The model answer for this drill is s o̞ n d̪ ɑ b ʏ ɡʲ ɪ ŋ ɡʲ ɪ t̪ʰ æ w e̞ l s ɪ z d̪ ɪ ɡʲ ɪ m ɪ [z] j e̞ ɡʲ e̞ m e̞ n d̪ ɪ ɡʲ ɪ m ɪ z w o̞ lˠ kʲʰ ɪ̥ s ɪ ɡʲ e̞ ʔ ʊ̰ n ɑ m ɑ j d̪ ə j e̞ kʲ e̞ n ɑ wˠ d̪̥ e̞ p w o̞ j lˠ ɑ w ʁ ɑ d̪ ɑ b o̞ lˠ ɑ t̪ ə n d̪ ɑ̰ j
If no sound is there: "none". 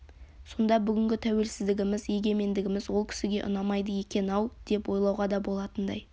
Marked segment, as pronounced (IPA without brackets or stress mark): z